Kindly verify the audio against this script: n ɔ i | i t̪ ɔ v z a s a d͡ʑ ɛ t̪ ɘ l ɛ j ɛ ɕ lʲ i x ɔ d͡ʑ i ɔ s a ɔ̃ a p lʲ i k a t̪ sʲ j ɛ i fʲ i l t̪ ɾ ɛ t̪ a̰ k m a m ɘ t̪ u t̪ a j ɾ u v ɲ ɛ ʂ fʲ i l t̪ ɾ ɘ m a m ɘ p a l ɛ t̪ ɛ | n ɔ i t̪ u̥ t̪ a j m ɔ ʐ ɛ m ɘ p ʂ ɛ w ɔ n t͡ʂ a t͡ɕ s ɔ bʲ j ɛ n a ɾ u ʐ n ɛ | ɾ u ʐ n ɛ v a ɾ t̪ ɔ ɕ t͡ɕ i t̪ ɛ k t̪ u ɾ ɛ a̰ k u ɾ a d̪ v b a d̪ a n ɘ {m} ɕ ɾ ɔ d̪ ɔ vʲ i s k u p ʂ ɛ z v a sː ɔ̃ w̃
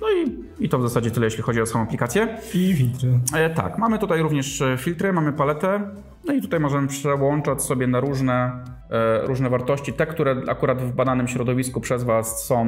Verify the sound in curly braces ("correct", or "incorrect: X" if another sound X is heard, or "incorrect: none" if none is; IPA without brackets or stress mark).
correct